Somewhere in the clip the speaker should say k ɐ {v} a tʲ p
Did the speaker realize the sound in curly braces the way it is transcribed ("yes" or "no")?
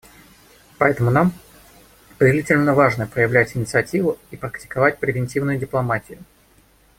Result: yes